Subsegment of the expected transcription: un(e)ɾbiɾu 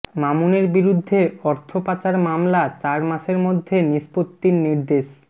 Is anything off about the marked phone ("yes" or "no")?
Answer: no